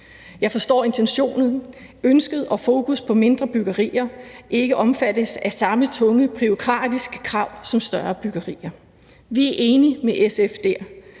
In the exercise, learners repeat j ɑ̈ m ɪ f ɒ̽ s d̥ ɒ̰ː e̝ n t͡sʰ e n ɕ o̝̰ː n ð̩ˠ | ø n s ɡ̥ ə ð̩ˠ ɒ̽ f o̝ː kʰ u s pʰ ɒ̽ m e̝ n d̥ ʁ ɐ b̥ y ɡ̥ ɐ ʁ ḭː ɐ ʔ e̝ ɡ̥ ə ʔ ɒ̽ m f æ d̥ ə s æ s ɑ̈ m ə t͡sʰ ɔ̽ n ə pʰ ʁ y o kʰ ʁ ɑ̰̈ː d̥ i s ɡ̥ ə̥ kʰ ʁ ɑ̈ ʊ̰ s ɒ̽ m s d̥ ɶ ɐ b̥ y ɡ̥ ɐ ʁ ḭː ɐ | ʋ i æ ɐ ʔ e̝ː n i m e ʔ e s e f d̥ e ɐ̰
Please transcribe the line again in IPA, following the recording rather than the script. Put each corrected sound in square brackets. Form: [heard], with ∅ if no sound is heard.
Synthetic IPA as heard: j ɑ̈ [∅] ɪ f ɒ̽ s d̥ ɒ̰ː e̝ n t͡sʰ e n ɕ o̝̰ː n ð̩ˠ | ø n s ɡ̥ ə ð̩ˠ ɒ̽ f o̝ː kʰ u s pʰ ɒ̽ m e̝ n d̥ ʁ ɐ b̥ y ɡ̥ ɐ ʁ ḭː ɐ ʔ e̝ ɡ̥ ə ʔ ɒ̽ m f æ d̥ ə s æ s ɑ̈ m ə t͡sʰ ɔ̽ [ŋ] ə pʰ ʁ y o kʰ ʁ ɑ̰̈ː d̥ i s ɡ̥ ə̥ kʰ ʁ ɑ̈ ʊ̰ s ɒ̽ m s d̥ ɶ ɐ b̥ y ɡ̥ ɐ ʁ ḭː ɐ | ʋ i æ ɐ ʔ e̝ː n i m e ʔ e s e f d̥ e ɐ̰